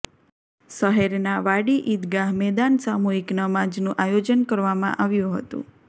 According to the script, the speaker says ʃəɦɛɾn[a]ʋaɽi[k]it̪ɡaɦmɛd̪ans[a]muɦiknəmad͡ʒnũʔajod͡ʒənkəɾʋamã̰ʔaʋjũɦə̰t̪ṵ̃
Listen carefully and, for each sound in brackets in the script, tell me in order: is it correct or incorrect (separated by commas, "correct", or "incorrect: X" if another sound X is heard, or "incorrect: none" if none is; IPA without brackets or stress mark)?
correct, incorrect: ʔ, correct